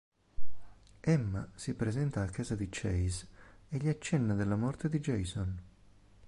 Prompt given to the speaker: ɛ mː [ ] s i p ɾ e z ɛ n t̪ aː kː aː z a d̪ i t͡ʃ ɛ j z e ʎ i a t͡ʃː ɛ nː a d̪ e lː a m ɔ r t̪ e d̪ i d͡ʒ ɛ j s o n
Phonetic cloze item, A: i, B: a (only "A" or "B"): B